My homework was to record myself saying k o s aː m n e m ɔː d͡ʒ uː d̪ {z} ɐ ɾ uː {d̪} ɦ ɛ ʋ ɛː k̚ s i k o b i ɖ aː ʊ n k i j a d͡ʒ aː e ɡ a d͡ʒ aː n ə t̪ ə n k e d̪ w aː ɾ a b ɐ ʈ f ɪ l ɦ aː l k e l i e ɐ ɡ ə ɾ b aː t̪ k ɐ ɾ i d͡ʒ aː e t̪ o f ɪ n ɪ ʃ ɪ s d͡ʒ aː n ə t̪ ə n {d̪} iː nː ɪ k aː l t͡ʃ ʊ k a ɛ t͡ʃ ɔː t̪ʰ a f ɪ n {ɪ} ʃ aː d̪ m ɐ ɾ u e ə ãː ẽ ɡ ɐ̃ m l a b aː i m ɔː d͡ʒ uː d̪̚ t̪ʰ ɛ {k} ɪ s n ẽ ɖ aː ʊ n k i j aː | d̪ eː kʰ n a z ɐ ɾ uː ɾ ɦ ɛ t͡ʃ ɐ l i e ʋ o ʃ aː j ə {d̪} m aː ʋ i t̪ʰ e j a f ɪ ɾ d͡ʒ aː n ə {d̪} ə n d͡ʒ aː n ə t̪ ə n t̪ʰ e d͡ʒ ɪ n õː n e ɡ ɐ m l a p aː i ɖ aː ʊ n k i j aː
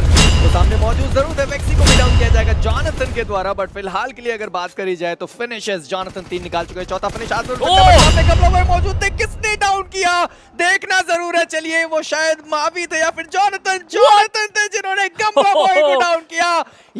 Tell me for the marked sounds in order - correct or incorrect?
correct, correct, incorrect: t̪, correct, correct, correct, incorrect: t̪

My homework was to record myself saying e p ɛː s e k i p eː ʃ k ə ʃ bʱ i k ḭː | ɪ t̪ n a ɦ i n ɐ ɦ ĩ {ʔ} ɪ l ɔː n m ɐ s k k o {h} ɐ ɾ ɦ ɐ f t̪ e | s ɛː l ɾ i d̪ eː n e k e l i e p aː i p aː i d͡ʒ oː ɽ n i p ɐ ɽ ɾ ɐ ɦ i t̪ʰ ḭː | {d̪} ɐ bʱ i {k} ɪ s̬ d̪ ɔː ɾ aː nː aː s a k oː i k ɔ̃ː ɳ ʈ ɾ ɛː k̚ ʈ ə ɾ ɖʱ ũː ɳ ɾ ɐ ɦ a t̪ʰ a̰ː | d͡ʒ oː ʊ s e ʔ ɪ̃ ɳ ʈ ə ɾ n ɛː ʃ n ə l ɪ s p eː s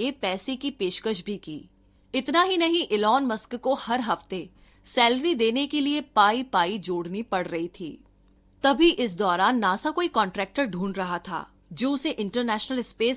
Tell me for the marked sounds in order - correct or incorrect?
correct, correct, incorrect: t̪, incorrect: ʔ

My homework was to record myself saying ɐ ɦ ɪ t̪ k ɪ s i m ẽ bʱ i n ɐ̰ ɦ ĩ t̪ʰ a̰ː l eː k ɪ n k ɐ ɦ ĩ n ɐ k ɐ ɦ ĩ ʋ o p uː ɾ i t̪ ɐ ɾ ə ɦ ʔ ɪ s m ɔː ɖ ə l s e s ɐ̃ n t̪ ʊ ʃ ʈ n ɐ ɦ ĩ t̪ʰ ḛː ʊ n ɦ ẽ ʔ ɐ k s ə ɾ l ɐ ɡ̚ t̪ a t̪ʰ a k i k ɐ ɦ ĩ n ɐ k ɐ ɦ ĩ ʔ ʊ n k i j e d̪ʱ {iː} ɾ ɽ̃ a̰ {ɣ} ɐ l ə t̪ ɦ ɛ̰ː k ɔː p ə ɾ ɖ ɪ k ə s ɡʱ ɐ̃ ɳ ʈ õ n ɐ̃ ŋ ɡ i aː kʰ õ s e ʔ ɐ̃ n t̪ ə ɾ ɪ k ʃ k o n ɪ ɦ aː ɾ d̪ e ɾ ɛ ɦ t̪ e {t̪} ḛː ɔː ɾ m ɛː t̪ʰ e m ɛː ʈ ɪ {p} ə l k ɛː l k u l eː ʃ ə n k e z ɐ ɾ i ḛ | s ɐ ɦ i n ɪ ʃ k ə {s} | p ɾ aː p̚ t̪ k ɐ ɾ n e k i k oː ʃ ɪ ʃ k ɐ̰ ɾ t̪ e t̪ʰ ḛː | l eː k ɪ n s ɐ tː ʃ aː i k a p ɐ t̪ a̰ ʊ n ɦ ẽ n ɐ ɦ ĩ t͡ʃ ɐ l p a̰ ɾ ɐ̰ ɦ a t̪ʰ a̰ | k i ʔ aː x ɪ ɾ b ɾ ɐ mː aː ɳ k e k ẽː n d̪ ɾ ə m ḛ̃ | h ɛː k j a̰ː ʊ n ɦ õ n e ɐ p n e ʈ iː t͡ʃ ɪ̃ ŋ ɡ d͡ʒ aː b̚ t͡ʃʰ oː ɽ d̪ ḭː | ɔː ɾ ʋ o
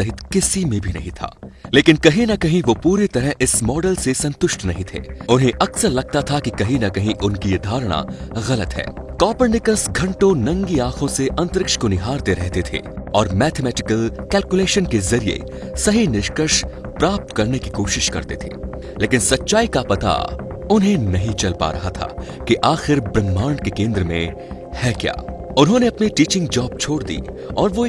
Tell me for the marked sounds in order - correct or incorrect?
incorrect: aː, correct, incorrect: t̪ʰ, incorrect: k, incorrect: ʃ

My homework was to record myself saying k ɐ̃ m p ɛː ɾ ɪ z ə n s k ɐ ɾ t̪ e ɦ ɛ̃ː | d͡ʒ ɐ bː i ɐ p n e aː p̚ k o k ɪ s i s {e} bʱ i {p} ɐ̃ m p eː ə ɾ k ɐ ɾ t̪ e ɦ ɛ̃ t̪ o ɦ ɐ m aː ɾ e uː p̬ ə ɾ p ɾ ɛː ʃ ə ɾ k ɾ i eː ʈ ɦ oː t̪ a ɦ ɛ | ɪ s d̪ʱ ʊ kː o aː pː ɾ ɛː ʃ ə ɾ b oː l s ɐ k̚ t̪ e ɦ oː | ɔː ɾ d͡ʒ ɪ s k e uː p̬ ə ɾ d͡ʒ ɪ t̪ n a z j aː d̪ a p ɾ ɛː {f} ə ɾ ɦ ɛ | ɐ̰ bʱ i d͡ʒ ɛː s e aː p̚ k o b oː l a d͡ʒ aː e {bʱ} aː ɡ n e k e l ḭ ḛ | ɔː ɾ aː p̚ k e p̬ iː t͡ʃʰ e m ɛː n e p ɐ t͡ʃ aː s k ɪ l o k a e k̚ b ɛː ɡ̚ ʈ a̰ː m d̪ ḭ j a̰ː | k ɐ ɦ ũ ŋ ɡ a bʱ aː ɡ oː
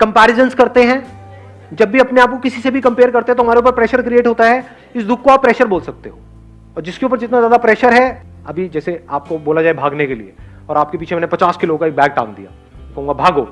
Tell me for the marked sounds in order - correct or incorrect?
correct, incorrect: k, incorrect: ʃ, correct

